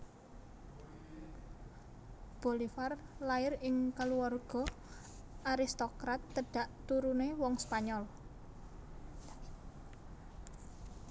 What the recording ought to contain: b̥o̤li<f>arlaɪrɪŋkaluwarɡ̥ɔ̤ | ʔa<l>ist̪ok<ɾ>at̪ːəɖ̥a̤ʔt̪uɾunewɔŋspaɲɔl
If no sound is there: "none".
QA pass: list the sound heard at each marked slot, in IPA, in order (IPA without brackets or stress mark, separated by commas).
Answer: f, ɾ, ɾ